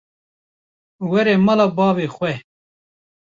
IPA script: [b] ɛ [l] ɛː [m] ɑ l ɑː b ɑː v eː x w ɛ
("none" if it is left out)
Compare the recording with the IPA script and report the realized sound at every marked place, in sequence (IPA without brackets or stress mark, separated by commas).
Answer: w, ɾ, m